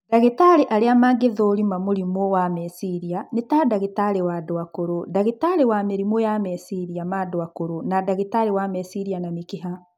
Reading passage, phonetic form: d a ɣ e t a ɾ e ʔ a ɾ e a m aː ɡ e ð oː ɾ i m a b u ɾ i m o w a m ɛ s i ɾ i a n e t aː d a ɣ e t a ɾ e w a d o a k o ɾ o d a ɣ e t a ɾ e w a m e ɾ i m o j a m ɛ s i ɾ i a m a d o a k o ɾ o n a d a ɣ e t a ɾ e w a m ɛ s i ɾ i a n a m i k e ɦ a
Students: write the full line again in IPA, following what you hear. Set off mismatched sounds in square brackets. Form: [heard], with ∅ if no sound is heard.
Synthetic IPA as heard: d a ɣ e t a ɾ e ʔ a ɾ e a m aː ɡ e ð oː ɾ i m a [m] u ɾ i m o w a m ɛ s i ɾ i a n e t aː d a ɣ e t a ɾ e w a d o a k o ɾ o d a ɣ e t a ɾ e w a m e ɾ i m o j a m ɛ s i ɾ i a m a d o a k o ɾ o n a d a ɣ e t a ɾ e w a m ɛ s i ɾ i a n a m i k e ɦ a